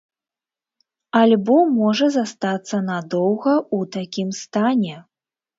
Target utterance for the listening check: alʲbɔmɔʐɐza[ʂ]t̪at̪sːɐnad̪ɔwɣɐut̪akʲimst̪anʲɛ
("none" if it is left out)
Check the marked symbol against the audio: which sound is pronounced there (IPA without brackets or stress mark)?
s